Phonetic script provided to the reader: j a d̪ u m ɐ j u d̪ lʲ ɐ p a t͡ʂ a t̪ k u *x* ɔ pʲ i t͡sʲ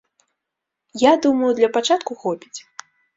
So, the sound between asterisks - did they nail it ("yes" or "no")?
yes